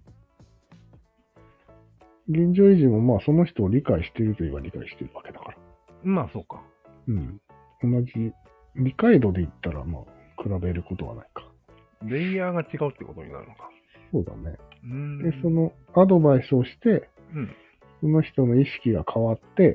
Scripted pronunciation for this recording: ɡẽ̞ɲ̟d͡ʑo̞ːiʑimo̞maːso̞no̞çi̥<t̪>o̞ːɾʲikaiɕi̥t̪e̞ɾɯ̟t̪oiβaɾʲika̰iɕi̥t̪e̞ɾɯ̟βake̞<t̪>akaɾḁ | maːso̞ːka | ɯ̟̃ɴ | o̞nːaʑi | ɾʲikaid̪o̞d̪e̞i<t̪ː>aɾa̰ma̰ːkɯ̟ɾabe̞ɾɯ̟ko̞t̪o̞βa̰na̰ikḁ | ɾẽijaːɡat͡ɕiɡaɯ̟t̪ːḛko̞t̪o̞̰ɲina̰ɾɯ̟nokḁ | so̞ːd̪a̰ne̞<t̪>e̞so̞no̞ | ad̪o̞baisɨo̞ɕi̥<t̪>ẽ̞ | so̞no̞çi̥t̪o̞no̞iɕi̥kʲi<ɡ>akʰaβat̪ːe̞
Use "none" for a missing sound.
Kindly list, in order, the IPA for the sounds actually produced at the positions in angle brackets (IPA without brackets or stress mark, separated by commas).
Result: t̪, d̪, t̪ː, d̪, t̪, ɡ